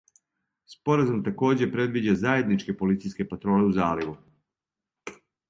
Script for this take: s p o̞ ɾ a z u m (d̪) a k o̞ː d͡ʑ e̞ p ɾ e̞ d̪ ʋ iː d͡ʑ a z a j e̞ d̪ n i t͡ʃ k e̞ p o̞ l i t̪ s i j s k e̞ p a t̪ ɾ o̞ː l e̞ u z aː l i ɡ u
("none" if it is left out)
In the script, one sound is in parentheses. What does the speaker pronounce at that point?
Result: t̪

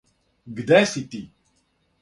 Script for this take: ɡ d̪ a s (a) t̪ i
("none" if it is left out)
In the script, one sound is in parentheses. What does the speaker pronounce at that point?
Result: i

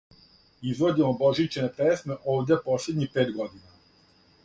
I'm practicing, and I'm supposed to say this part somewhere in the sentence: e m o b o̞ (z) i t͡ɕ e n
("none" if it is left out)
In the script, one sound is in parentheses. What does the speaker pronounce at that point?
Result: ʒ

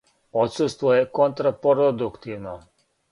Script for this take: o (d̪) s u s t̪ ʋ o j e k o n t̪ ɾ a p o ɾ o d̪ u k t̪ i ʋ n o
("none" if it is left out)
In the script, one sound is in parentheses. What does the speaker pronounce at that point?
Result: t̪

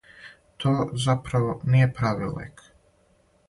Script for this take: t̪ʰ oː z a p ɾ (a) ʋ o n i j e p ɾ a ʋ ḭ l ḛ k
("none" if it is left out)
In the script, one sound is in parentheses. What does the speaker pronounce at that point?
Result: a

